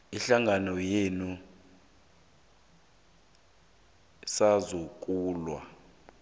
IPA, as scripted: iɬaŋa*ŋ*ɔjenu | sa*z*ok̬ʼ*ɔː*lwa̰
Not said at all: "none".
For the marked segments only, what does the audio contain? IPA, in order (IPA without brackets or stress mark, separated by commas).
n, z, uː